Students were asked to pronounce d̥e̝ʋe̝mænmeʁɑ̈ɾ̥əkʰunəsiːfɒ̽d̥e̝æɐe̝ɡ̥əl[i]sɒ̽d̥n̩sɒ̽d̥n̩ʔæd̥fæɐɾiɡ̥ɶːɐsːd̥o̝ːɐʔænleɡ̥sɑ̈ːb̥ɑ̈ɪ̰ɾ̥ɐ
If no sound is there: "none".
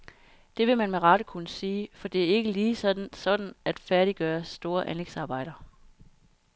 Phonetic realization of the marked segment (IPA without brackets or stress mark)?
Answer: iː